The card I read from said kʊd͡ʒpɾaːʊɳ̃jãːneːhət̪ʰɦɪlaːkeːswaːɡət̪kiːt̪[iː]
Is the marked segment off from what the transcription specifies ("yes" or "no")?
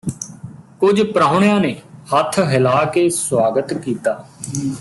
yes